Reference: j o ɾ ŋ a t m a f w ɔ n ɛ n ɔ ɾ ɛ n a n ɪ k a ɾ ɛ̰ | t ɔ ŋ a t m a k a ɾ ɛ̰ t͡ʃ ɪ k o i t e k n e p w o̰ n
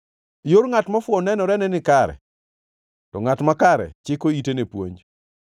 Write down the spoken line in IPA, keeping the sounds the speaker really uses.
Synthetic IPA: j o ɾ ŋ a t m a f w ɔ n ɛ n ɔ ɾ ɛ n ɛ n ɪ k a ɾ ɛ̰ | t ɔ ŋ a t m a k a ɾ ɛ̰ t͡ʃ ɪ k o i t e n e p w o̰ ɲ